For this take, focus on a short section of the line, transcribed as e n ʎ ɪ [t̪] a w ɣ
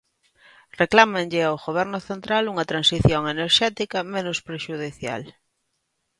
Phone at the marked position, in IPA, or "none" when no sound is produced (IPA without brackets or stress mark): none